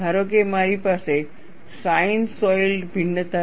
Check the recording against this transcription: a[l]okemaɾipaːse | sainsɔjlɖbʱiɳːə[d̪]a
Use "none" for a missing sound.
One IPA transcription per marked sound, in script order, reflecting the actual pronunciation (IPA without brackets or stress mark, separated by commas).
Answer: ɾ, t̪